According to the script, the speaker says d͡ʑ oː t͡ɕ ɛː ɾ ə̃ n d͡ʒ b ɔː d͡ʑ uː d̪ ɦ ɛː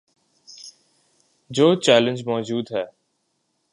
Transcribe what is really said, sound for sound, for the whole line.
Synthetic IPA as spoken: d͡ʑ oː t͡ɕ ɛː l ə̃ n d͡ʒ m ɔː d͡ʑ uː d̪ ɦ ɛː